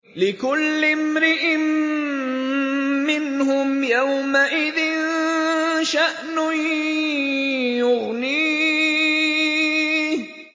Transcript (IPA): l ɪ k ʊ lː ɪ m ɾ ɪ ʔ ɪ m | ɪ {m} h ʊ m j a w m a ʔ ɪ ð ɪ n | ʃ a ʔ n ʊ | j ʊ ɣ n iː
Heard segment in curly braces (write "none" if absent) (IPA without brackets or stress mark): n